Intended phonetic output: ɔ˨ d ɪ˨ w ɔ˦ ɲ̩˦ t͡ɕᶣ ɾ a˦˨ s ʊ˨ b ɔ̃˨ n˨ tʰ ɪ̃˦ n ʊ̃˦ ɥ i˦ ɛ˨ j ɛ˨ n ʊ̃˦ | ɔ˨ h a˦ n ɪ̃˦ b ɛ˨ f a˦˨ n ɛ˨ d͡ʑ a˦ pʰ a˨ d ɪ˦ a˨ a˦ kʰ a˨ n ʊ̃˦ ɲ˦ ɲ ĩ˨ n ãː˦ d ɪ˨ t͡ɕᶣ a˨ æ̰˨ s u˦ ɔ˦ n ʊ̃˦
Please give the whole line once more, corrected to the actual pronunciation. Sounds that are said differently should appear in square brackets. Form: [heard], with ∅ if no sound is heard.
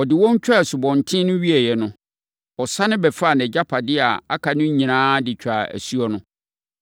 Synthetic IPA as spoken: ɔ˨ d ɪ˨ w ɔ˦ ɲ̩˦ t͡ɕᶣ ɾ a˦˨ s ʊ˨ b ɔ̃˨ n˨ tʰ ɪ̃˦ n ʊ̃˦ ɥ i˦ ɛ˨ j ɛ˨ n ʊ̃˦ | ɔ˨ [s] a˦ n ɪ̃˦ b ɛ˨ f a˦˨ n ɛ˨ d͡ʑ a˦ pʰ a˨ d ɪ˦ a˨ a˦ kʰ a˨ n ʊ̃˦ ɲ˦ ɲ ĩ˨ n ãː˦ d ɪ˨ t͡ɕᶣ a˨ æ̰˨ s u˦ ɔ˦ n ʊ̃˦